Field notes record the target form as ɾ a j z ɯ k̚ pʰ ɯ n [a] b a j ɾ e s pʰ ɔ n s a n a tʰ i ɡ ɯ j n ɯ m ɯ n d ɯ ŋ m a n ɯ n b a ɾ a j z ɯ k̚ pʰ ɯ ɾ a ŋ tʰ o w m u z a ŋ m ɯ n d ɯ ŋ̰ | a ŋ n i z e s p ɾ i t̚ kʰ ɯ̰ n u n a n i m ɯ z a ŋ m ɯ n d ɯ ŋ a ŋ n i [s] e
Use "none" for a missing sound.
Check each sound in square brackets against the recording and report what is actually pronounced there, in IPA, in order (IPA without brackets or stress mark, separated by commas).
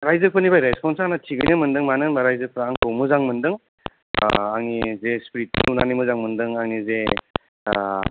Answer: i, z